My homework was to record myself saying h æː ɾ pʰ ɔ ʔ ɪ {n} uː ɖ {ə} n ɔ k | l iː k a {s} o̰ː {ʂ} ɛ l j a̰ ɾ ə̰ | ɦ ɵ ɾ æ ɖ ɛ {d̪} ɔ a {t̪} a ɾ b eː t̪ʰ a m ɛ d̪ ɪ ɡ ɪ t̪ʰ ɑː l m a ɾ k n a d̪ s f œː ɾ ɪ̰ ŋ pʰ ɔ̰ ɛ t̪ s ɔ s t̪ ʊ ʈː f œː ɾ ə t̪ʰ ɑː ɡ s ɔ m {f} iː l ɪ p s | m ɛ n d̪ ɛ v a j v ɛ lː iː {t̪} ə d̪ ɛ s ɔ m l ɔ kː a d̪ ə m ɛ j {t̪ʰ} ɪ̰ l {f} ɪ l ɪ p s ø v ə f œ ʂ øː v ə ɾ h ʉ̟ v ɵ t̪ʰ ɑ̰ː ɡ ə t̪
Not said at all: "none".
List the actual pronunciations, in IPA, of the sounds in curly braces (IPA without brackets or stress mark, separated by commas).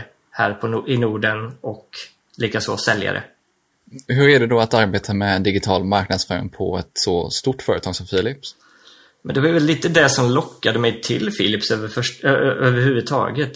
n, ə, s, s, d̪, t̪, f, t̪, t̪ʰ, f